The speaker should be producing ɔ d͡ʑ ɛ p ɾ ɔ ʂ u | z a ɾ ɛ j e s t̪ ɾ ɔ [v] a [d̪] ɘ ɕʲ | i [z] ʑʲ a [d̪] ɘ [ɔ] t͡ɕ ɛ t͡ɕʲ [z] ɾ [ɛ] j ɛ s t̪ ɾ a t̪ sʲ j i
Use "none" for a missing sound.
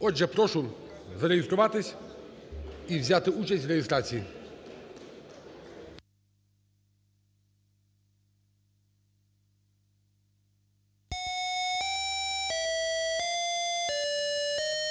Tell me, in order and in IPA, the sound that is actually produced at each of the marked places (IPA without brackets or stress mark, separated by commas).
v, t̪, v, t̪, u, v, ɛ